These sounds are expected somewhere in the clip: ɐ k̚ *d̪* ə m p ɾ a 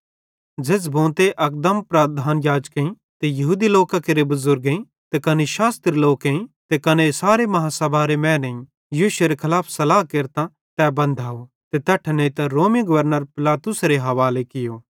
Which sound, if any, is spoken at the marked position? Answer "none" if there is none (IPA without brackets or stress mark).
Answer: d̪